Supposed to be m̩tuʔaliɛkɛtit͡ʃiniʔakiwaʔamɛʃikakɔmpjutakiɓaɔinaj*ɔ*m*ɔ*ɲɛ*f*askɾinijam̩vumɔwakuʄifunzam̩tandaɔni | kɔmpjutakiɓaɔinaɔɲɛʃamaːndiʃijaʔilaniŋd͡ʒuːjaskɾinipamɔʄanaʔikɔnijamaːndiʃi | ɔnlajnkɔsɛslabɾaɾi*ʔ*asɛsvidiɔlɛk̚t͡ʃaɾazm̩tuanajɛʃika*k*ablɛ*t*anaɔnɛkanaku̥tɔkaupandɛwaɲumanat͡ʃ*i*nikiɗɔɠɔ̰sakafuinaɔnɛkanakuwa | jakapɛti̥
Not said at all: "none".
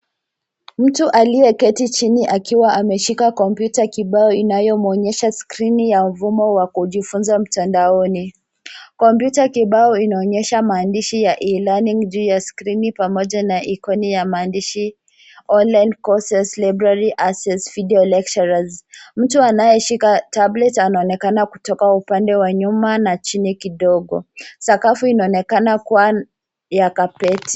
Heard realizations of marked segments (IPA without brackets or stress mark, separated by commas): ɔ, ɔ, ʃ, ʔ, t, t, i